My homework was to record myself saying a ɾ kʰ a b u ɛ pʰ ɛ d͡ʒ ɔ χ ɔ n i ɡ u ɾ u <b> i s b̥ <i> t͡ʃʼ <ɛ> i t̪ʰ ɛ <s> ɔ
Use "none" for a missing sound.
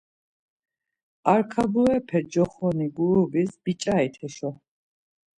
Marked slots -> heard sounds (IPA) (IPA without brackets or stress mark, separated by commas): b, i, a, ʃ